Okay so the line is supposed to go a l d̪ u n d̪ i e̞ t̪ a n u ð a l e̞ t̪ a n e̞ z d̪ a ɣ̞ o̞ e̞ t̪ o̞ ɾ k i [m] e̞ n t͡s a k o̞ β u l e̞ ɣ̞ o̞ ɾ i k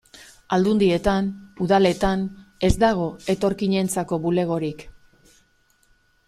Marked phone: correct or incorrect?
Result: incorrect